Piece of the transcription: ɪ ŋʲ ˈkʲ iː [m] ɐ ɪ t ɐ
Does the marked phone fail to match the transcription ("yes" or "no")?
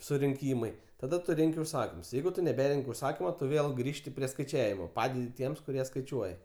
no